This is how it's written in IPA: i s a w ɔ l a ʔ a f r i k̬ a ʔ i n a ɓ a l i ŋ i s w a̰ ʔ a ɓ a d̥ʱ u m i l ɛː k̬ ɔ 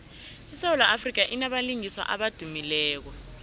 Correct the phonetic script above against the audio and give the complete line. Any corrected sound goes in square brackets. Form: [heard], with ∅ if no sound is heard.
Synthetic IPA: i s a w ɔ l a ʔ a f r i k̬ a ʔ i n a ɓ a l i ŋ i s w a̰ ʔ a ɓ a d̥ʱ u m i l ɛː k̬ ɔ